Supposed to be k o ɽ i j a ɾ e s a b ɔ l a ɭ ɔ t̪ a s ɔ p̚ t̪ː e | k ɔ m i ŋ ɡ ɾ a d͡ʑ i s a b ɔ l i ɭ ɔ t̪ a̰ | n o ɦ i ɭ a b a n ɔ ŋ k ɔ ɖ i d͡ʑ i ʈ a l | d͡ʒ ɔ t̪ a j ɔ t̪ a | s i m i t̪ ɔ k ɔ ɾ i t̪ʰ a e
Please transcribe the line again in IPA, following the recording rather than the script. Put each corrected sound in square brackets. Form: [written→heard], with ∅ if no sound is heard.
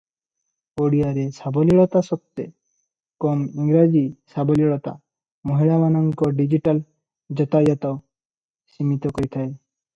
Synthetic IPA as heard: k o ɽ i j a ɾ e s a b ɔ l [a→i] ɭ ɔ t̪ a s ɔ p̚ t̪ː e | k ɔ m i ŋ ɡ ɾ a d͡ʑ i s a b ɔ l i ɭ ɔ t̪ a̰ | [n→m] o ɦ i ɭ a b a n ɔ ŋ k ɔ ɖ i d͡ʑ i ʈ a l | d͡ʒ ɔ t̪ a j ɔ t̪ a | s i m i t̪ ɔ k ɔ ɾ i t̪ʰ a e